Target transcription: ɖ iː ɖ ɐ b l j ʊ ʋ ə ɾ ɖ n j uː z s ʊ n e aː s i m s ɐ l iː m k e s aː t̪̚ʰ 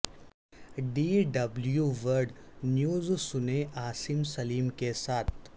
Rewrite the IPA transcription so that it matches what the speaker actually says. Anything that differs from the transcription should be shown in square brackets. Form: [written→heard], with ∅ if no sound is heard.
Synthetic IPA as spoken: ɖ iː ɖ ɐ b l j [ʊ→u] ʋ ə ɾ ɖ n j uː z s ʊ n e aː s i m s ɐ l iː m k e s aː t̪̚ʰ